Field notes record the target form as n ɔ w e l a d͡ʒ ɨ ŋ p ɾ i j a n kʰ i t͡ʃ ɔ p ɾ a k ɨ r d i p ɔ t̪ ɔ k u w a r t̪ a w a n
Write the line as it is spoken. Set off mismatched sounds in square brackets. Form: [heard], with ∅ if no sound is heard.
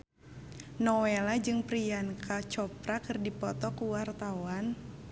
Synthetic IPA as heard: n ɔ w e l a d͡ʒ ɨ ŋ p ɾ i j a n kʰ [a] t͡ʃ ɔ p ɾ a k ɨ r d i p ɔ t̪ ɔ k u w a r t̪ a w a n